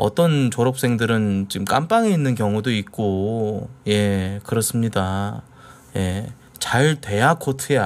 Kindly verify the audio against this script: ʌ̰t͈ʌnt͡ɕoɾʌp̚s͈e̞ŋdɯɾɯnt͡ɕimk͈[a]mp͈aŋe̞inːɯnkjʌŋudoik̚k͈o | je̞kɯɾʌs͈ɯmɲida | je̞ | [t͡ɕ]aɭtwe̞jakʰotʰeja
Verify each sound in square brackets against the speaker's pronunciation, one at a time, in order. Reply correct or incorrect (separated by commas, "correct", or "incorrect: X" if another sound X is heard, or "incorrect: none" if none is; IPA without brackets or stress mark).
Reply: correct, correct